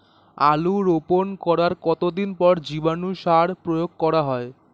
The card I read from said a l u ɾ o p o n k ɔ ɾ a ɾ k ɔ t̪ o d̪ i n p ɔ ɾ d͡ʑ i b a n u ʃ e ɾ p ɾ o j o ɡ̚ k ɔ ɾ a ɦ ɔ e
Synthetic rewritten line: a l u ɾ o p o n k ɔ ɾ a ɾ k ɔ t̪ o d̪ i n p ɔ ɾ d͡ʑ i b a n u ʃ a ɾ p ɾ o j o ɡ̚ k ɔ ɾ a ɦ ɔ e